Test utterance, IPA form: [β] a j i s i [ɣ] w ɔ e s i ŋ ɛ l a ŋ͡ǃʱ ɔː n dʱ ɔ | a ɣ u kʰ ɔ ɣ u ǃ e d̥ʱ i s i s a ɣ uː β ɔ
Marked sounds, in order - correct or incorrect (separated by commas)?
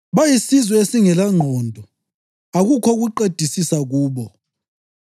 correct, incorrect